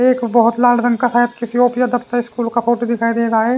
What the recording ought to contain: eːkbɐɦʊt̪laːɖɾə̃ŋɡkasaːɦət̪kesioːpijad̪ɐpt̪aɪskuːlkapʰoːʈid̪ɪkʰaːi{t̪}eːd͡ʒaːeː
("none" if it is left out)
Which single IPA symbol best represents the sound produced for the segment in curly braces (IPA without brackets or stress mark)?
d̪